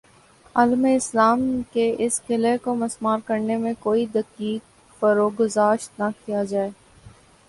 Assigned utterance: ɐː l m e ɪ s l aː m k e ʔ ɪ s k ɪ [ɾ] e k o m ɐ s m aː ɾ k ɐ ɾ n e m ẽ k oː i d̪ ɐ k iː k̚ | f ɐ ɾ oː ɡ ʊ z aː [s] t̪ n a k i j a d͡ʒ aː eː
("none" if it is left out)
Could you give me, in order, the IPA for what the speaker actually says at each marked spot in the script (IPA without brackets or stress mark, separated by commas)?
l, ʃ